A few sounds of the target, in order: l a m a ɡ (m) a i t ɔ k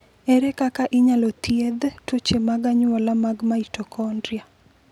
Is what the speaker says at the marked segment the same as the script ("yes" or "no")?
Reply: yes